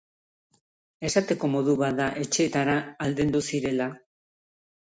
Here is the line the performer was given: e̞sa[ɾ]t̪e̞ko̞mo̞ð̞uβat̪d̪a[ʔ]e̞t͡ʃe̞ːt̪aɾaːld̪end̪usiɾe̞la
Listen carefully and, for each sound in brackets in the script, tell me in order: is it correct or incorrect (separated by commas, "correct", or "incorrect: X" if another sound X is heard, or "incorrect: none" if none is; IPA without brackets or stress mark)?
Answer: incorrect: none, correct